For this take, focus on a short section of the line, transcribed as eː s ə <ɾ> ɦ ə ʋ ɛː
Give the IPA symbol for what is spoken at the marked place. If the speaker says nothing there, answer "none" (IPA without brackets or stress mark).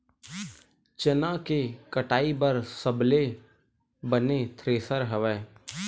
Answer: ɾ